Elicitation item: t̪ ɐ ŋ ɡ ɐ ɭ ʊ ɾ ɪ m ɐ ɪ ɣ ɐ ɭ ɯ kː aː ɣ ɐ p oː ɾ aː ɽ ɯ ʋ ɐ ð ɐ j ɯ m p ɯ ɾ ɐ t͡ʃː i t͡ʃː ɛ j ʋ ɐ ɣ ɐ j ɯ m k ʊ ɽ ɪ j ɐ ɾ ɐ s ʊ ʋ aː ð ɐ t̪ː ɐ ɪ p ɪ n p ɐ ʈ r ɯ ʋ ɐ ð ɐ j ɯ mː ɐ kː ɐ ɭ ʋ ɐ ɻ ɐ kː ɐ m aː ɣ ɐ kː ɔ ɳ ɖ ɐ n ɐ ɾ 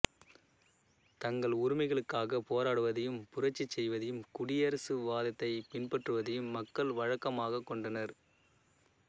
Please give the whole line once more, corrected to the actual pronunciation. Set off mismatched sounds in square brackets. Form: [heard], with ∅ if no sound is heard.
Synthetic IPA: t̪ ɐ ŋ ɡ ɐ ɭ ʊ ɾ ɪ m ɐ ɪ ɣ ɐ ɭ ɯ kː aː ɣ ɐ p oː ɾ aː ɽ ɯ ʋ ɐ ð ɐ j ɯ m p [ʊ] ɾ ɐ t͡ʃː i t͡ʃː ɛ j ʋ ɐ [ð] ɐ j ɯ m k ʊ ɽ ɪ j ɐ ɾ ɐ s [ɯ] ʋ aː ð ɐ t̪ː ɐ ɪ p ɪ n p ɐ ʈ r ɯ ʋ ɐ ð ɐ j ɯ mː ɐ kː ɐ ɭ ʋ ɐ ɻ ɐ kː ɐ m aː ɣ ɐ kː ɔ ɳ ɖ ɐ n ɐ ɾ

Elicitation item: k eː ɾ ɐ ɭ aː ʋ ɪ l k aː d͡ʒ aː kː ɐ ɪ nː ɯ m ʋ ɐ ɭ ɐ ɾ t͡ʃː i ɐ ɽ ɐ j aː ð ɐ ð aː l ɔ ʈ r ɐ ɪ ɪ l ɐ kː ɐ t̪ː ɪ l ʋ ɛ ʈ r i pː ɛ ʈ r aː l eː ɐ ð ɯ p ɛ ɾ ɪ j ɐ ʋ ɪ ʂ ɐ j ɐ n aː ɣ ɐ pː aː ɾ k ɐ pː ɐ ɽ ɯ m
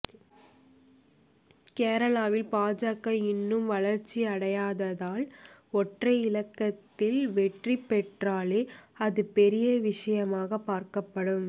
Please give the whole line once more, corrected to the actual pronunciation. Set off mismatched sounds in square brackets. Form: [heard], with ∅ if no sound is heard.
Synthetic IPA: k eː ɾ ɐ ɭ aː ʋ ɪ l [p] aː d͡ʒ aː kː ɐ ɪ nː ɯ m ʋ ɐ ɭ ɐ ɾ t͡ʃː i ɐ ɽ ɐ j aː ð ɐ ð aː l ɔ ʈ r ɐ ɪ ɪ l ɐ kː ɐ t̪ː ɪ l ʋ ɛ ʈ r i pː ɛ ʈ r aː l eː ɐ ð ɯ p ɛ ɾ ɪ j ɐ ʋ ɪ ʂ ɐ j ɐ [m] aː ɣ ɐ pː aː ɾ k ɐ pː ɐ ɽ ɯ m

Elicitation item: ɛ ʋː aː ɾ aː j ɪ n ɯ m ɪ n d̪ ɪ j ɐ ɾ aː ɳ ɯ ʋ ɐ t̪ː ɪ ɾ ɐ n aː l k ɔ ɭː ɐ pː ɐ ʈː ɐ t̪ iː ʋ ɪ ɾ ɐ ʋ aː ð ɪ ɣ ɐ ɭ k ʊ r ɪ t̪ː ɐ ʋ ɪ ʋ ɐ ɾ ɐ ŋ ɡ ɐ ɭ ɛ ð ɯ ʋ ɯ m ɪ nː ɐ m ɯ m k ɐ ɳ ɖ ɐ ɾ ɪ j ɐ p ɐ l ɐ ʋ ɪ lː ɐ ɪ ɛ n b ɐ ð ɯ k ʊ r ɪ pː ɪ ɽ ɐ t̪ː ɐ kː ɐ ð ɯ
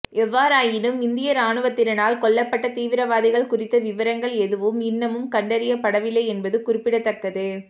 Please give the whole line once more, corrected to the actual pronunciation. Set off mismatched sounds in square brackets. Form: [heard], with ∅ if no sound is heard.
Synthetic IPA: ɛ ʋː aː ɾ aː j ɪ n ɯ m ɪ n d̪ ɪ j ɐ ɾ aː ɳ ɯ ʋ ɐ t̪ː ɪ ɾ ɐ n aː l k ɔ ɭː ɐ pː ɐ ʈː ɐ t̪ iː ʋ ɪ ɾ ɐ ʋ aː ð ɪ ɣ ɐ ɭ k ʊ r ɪ t̪ː ɐ ʋ ɪ ʋ ɐ ɾ ɐ ŋ ɡ ɐ ɭ ɛ ð ɯ ʋ ɯ m ɪ nː ɐ m ɯ m k ɐ ɳ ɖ ɐ ɾ ɪ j ɐ p ɐ [ɽ] ɐ ʋ ɪ lː ɐ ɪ ɛ n b ɐ ð ɯ k ʊ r ɪ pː ɪ ɽ ɐ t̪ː ɐ kː ɐ ð ɯ

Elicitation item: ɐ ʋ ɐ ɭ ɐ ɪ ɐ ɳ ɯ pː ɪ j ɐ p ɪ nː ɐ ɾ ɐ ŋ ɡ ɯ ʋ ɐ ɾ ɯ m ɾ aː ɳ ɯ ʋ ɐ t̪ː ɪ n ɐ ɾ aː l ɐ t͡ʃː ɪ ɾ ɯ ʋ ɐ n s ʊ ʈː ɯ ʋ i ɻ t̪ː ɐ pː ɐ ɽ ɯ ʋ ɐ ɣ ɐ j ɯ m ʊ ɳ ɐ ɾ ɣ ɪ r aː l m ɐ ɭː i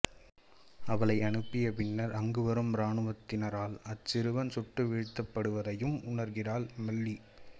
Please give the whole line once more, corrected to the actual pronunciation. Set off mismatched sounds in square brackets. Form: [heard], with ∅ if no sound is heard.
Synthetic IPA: ɐ ʋ ɐ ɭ ɐ ɪ ɐ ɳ ɯ pː ɪ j ɐ p ɪ nː ɐ ɾ ɐ ŋ ɡ ɯ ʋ ɐ ɾ ɯ m ɾ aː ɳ ɯ ʋ ɐ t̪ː ɪ n ɐ ɾ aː l ɐ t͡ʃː ɪ ɾ ɯ ʋ ɐ n s ʊ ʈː ɯ ʋ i ɻ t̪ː ɐ pː ɐ ɽ ɯ ʋ ɐ [ð] ɐ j ɯ m ʊ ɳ ɐ ɾ ɣ ɪ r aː l m ɐ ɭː i

